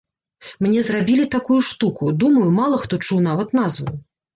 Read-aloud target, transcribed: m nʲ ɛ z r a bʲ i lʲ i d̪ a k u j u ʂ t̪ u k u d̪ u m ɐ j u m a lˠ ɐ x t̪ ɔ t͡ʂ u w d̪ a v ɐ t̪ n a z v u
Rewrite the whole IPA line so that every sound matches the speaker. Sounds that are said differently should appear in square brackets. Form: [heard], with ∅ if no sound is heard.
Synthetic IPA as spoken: m nʲ ɛ z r a bʲ i lʲ i [t̪] a k u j u ʂ t̪ u k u d̪ u m ɐ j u m a lˠ ɐ x t̪ ɔ t͡ʂ u w [n̪] a v ɐ t̪ n a z v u